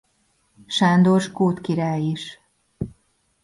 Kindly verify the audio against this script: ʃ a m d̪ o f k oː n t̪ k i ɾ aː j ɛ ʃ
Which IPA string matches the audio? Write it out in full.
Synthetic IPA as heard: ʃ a n d̪ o ʃ k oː t̪ k i ɾ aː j i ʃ